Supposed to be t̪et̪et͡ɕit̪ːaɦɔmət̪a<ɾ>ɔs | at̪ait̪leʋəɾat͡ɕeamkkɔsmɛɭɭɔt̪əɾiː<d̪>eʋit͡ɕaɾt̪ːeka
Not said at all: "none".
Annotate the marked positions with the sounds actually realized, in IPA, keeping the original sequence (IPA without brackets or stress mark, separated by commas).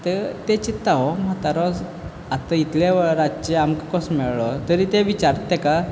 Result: ɾ, t̪